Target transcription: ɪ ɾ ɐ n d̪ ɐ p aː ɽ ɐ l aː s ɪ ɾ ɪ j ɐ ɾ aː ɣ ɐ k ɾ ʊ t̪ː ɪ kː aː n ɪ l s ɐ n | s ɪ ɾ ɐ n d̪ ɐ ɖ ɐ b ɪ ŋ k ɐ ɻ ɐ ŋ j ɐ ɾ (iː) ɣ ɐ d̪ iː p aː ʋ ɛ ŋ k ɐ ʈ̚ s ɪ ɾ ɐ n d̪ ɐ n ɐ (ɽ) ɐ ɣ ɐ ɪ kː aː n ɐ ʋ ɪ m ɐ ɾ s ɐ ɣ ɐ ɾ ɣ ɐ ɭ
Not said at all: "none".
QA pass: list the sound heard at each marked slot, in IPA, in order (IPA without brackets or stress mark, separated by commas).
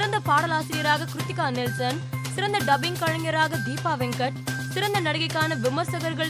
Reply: aː, ɽ